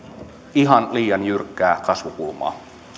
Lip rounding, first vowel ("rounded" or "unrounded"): unrounded